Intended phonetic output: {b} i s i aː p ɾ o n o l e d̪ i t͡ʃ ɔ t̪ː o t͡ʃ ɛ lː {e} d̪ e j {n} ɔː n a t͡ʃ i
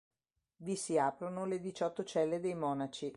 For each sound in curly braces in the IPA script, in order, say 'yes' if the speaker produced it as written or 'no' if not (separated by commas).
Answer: no, yes, no